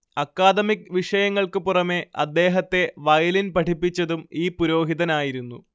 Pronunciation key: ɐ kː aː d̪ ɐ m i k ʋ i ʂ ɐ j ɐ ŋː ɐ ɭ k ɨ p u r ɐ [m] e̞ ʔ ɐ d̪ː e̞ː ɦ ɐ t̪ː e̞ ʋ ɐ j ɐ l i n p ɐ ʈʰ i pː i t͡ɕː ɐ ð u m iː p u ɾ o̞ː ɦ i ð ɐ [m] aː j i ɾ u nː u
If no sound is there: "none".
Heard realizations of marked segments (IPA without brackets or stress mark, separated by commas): m, n